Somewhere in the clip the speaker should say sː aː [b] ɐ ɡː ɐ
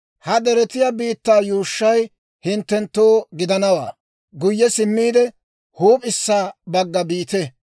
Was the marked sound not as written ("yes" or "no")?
no